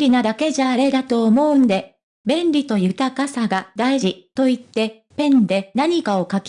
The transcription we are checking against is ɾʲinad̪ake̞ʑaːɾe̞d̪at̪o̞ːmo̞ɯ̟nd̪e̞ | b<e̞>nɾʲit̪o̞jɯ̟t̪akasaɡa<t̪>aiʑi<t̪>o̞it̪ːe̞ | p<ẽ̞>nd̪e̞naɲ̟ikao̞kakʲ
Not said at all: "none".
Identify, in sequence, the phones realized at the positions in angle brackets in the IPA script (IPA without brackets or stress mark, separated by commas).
ẽ̞, d̪, t̪, ẽ̞